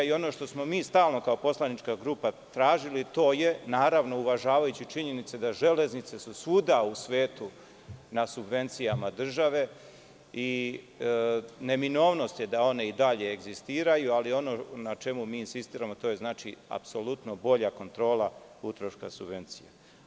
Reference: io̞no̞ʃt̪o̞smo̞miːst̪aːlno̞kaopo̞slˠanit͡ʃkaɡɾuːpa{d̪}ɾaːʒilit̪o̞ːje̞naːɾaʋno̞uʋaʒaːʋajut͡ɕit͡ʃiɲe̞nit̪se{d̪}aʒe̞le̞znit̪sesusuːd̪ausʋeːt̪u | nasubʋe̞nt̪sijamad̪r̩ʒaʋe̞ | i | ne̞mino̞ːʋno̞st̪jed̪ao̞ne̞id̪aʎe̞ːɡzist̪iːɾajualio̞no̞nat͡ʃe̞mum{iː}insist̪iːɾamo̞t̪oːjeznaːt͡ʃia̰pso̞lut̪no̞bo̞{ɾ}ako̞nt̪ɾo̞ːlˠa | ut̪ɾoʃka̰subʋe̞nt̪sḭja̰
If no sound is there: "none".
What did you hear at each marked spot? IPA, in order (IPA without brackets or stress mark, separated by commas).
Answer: t̪, d̪, iː, ʎ